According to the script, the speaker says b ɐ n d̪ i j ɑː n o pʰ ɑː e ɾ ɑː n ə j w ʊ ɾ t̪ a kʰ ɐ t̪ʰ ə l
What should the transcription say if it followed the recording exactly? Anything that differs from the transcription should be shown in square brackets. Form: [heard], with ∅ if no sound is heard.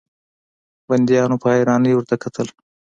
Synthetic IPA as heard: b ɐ n d̪ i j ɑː n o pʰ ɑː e ɾ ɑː n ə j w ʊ ɾ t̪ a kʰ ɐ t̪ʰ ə l